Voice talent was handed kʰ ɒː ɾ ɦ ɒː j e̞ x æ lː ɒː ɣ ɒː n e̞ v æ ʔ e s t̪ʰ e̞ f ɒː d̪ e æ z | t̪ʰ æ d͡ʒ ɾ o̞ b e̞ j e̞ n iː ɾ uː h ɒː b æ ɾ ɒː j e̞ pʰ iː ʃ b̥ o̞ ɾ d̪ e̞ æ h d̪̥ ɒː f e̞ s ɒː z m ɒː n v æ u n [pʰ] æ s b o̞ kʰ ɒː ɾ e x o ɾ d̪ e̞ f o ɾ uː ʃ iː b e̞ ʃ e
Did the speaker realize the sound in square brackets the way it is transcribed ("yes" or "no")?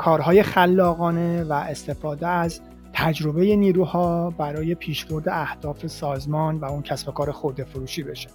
no